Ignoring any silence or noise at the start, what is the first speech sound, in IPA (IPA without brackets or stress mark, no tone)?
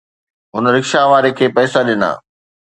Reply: ɦ